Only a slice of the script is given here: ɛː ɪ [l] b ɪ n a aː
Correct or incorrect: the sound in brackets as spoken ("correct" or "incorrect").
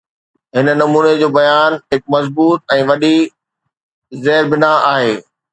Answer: incorrect